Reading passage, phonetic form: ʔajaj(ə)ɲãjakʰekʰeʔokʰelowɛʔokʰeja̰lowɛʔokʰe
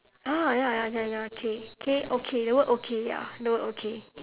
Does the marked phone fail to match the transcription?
yes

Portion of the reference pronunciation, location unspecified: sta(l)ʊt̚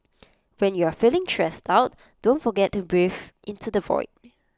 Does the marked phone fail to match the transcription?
yes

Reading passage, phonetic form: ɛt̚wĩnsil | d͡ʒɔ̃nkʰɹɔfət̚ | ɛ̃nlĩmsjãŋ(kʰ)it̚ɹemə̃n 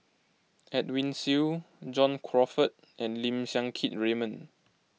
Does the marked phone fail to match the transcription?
no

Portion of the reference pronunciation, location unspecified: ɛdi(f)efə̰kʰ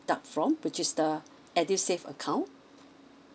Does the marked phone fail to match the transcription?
yes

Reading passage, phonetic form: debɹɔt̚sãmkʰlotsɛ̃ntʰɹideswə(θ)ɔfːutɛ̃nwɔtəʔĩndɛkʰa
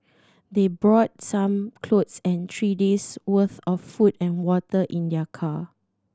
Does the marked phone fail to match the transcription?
no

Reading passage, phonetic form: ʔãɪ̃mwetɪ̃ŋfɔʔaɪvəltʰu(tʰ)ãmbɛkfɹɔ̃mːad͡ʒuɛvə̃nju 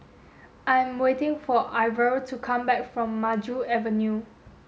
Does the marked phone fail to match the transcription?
yes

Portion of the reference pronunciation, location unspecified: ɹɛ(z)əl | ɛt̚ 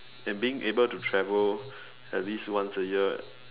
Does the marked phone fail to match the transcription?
yes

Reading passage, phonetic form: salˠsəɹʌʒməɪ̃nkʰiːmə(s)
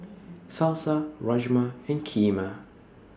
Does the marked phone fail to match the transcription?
yes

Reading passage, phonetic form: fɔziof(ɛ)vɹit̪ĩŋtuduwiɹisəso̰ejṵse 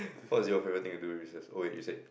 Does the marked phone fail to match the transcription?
no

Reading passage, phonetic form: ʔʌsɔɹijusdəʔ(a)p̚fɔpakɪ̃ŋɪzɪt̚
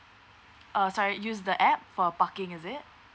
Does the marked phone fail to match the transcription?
yes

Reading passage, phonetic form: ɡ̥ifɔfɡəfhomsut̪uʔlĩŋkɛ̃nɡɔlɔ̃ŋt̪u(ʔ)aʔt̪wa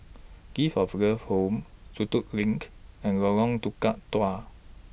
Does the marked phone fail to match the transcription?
yes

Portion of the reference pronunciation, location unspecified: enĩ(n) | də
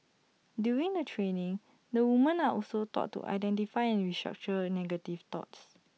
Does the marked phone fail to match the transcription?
yes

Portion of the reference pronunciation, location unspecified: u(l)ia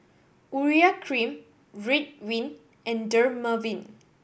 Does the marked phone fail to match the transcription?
yes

